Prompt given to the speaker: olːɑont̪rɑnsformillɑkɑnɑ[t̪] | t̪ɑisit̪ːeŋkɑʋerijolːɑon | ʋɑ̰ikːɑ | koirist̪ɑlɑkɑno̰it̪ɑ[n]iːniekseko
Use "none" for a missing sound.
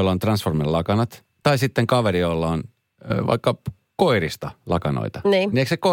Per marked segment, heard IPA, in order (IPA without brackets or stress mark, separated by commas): t̪, n